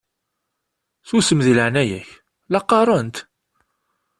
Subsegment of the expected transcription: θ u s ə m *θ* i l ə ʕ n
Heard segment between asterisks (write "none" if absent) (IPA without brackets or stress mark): ð